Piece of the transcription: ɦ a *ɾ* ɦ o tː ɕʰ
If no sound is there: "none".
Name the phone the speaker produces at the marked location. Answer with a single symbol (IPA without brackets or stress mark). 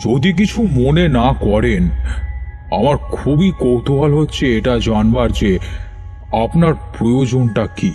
l